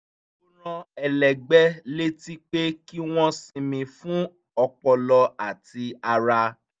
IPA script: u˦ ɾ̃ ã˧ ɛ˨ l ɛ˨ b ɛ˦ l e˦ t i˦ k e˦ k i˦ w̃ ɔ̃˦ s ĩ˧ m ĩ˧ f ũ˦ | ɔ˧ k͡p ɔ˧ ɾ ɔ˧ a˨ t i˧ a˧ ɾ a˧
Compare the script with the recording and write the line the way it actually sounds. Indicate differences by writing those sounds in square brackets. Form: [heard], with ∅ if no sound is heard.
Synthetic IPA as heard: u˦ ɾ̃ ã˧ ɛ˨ l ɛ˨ [ɡ͡b] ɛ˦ l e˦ t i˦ [k͡p] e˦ k i˦ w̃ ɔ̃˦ s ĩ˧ m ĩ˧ f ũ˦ | ɔ˧ k͡p ɔ˧ [l] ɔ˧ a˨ t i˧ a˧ ɾ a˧